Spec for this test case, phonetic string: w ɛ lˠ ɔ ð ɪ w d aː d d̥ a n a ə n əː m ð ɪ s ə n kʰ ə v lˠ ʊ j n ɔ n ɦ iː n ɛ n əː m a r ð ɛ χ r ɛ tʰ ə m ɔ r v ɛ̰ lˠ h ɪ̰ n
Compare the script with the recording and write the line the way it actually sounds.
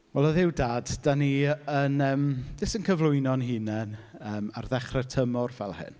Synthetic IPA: w ɛ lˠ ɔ ð ɪ w d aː d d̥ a n i ə n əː m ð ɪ s ə n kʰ ə v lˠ ʊ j n ɔ n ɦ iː n ɛ n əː m a r ð ɛ χ r ɛ tʰ ə m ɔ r v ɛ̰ lˠ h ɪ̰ n